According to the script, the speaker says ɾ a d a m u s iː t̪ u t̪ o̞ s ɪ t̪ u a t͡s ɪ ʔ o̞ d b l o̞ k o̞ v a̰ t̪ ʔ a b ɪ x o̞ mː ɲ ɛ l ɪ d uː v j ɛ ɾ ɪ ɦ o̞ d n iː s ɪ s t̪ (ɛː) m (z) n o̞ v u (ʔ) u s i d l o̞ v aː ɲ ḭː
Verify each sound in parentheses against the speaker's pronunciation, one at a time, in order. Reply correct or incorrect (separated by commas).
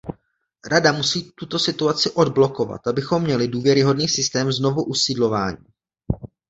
correct, correct, correct